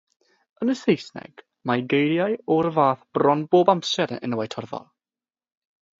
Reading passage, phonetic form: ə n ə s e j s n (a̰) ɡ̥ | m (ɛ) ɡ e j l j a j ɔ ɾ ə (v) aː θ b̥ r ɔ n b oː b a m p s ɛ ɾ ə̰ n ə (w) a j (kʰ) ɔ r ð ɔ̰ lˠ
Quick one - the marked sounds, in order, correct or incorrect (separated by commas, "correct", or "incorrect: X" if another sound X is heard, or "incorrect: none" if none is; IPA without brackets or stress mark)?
incorrect: ɛ̰, incorrect: a, correct, correct, incorrect: tʰ